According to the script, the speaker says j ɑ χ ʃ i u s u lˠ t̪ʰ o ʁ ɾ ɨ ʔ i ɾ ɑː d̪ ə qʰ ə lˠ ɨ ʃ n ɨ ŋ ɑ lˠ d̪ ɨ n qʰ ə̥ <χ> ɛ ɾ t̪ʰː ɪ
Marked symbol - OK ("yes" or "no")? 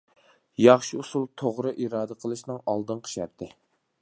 no